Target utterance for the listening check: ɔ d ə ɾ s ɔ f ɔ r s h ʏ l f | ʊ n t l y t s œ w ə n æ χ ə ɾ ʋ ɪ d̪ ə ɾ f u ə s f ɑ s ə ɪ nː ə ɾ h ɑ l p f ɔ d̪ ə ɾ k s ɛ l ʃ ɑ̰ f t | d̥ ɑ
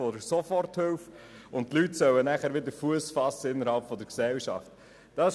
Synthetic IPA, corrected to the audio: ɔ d ə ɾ s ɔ f ɔ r t h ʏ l f | ʊ n t l y t s œ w ə n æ χ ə ɾ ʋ ɪ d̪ ə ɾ f u ə s f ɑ s ə ɪ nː ə ɾ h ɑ l p f ɔ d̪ ə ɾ k s ɛ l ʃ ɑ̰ f t | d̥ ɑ